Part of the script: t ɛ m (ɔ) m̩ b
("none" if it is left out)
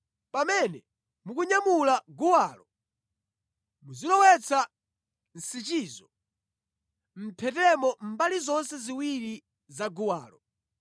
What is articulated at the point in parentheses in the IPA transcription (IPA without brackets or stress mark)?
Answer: ɔ